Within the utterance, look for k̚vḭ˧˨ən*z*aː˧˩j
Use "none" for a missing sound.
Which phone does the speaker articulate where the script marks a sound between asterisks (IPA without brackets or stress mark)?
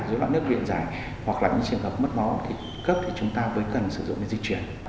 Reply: z